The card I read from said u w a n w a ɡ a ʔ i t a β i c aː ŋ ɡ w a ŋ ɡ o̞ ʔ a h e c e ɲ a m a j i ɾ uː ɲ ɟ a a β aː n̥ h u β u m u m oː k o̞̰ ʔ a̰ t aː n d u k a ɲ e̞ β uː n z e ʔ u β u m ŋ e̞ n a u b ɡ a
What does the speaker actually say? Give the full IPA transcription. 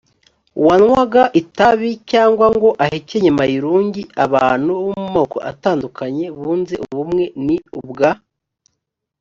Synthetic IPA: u w a n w a ɡ a ʔ i t a β i c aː ŋ ɡ w a ŋ ɡ o̞ ʔ a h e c e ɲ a m a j i ɾ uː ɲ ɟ i a β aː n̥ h u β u m u m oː k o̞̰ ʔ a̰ t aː n d u k a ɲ e̞ β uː n z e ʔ u β u m ŋ e̞ n i u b ɡ a